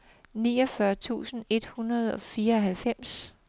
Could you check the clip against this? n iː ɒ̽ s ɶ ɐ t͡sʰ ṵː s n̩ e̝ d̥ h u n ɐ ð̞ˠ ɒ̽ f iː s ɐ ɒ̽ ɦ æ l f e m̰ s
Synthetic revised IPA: n iː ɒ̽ f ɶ ɐ t͡sʰ ṵː s n̩ e̝ d̥ h u n ɐ ð̞ˠ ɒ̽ f iː ɐ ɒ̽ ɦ æ l f e m̰ s